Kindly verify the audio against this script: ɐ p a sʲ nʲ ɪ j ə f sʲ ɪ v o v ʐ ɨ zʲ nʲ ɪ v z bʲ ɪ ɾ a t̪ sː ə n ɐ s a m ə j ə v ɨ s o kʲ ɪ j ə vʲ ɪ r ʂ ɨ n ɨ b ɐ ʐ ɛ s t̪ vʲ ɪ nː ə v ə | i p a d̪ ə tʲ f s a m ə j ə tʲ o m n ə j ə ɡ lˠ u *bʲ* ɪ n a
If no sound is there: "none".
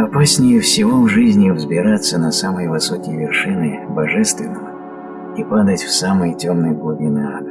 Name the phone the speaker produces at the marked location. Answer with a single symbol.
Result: bʲ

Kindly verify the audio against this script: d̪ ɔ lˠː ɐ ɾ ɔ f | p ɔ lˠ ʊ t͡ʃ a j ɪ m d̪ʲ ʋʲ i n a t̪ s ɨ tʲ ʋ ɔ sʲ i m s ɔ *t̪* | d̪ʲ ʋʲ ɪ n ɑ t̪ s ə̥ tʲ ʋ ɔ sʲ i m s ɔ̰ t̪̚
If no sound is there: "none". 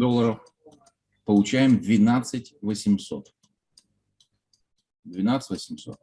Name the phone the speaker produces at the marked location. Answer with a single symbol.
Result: t̪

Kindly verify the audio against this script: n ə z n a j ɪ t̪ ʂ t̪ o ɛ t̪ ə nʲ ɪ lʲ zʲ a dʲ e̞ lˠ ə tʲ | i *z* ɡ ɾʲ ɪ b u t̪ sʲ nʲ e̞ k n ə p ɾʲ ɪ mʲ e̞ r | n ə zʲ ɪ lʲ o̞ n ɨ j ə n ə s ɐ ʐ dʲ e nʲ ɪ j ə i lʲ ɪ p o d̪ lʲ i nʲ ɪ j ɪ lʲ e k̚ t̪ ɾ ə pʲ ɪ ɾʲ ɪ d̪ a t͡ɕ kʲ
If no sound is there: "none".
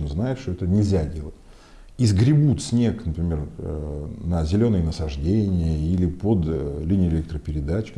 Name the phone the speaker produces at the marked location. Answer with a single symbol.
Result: z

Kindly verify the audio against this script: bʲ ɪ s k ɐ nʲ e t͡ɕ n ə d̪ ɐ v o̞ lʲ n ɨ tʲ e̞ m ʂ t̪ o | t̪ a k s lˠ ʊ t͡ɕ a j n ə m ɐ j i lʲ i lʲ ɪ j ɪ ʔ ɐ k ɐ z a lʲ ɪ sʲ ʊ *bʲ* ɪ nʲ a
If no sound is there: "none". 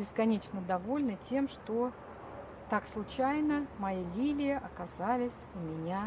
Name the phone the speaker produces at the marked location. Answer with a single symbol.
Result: mʲ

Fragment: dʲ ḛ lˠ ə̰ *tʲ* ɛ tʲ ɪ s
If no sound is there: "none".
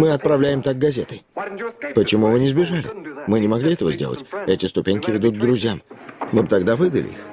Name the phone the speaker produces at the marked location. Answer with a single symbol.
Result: tʲ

